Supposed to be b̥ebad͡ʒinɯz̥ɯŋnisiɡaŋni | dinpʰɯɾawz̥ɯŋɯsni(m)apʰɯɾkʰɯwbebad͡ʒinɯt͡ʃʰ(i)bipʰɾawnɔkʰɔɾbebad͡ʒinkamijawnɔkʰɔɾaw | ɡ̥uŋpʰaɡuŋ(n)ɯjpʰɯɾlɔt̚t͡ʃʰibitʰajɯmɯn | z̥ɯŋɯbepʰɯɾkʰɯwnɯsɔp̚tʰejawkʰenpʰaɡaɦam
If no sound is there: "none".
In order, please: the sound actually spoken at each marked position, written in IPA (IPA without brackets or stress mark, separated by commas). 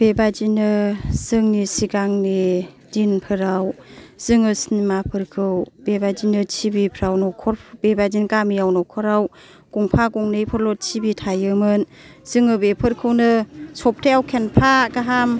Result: m, i, n